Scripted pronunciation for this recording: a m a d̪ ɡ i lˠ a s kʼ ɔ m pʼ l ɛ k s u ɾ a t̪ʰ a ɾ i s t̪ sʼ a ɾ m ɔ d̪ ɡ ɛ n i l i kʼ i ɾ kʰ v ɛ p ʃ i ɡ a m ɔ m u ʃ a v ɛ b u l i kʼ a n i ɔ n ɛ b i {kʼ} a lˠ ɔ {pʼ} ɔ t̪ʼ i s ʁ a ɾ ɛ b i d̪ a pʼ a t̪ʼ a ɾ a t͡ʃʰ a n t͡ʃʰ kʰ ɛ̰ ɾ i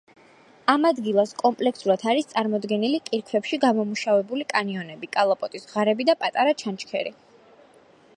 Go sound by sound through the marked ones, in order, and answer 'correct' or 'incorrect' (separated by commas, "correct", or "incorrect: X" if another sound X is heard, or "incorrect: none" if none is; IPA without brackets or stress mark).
correct, correct